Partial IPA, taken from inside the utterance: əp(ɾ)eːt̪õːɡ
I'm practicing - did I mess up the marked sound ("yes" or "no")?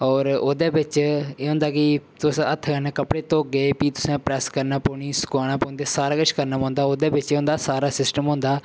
yes